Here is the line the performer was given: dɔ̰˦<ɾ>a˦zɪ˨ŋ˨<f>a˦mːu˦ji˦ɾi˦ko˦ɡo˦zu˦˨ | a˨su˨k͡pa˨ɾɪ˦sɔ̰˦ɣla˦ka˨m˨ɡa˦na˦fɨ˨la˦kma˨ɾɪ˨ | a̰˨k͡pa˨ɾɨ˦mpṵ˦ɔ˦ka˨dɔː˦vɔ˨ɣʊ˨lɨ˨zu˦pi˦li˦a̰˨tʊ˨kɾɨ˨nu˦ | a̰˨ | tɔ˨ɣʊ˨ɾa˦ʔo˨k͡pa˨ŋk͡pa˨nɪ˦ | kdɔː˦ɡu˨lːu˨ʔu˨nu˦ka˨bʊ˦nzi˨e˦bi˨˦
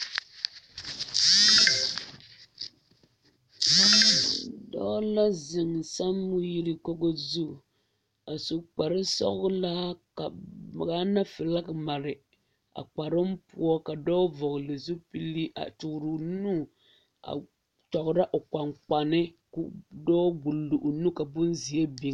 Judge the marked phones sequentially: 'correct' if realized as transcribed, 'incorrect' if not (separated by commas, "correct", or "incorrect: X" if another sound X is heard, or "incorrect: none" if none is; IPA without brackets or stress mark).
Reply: incorrect: l, incorrect: s